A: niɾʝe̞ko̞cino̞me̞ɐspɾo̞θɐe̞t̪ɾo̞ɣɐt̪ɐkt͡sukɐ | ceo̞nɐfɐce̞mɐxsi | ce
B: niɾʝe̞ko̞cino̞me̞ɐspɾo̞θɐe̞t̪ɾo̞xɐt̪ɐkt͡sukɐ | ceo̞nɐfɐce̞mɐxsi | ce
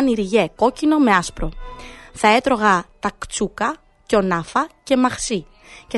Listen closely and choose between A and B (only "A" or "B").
A